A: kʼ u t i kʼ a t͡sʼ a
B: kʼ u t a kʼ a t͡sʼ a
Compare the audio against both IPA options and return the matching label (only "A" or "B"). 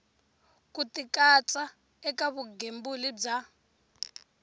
A